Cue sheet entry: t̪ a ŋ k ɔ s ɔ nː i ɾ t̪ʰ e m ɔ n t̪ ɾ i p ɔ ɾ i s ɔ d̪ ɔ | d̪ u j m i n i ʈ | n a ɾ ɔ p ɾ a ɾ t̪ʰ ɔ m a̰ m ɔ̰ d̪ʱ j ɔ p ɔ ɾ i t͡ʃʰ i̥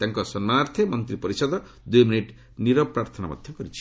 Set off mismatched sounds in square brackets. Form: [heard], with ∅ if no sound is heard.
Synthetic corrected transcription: t̪ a ŋ k ɔ s ɔ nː [a] ɾ t̪ʰ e m ɔ n t̪ ɾ i p ɔ ɾ i s ɔ d̪ ɔ | d̪ u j m i n i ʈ | n [i] ɾ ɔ p ɾ a ɾ t̪ʰ ɔ [n] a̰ m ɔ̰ d̪ʱ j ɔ [k] ɔ ɾ i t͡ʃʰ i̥